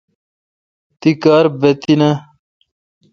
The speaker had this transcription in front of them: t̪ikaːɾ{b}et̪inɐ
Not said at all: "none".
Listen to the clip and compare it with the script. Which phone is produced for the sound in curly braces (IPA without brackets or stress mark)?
b